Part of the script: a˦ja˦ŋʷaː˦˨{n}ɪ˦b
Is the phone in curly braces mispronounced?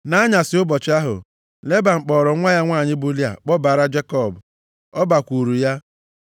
yes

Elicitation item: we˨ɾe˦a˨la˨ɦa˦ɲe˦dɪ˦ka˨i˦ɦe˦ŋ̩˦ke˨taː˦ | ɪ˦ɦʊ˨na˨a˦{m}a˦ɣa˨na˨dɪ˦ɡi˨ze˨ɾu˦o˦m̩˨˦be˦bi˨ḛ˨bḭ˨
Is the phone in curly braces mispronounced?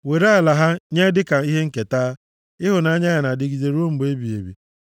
yes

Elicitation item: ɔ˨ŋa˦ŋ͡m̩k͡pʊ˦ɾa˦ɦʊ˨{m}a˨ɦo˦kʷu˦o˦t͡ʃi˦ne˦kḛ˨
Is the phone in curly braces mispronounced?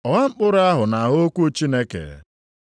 yes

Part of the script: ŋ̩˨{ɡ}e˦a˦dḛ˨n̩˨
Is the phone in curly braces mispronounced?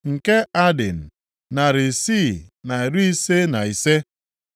yes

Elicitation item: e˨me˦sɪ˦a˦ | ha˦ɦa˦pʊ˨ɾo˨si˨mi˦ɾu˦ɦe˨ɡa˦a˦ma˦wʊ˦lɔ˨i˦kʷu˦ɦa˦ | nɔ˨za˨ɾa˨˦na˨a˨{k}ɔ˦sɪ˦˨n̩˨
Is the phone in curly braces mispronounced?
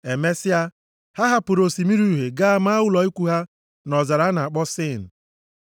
yes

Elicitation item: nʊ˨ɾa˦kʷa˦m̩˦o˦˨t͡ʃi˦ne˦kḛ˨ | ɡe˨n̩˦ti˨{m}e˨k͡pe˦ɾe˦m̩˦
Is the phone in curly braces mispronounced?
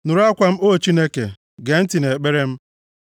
yes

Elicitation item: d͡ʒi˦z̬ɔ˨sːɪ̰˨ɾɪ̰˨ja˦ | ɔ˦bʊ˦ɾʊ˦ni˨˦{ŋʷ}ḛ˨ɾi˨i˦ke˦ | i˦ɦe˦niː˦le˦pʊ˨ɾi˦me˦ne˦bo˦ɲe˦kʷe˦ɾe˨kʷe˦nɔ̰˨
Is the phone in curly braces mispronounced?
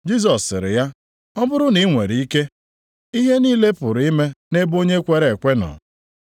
no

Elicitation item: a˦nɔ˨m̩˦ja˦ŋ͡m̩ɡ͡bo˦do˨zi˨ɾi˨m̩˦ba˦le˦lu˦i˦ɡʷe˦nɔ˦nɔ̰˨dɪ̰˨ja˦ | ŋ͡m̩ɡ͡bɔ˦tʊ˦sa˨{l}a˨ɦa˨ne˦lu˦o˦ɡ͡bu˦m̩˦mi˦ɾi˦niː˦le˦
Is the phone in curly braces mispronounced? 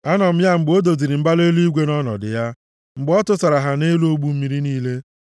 yes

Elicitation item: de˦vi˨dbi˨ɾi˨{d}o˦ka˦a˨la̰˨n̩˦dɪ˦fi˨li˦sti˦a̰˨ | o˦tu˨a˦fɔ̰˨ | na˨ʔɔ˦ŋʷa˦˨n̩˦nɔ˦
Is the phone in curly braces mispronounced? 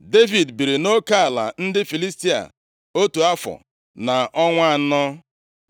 yes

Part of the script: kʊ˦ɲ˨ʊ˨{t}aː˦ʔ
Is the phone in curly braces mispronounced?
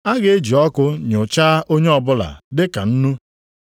yes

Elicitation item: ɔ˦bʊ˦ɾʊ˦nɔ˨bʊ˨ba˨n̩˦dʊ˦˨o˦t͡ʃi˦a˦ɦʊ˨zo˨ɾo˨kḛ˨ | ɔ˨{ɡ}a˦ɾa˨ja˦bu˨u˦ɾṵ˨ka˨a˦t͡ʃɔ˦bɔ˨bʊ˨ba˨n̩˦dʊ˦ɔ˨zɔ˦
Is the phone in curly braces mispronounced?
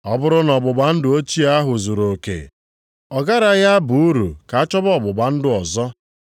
no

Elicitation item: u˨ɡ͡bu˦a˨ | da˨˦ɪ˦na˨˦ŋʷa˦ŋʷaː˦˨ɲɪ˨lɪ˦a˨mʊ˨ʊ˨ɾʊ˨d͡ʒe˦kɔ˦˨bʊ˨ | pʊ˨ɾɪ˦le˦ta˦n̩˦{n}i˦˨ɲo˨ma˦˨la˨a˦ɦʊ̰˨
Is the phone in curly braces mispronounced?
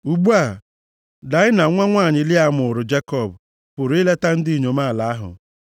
yes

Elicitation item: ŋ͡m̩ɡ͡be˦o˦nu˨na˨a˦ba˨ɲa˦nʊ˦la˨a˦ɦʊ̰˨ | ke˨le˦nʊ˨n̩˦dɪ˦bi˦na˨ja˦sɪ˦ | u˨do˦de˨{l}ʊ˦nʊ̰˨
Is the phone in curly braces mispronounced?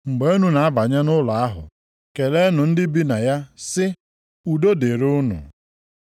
yes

